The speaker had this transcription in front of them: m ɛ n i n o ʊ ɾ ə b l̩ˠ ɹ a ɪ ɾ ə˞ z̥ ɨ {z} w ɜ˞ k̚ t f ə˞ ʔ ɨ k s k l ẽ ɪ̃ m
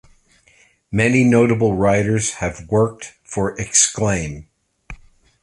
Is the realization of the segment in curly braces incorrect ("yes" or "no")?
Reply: yes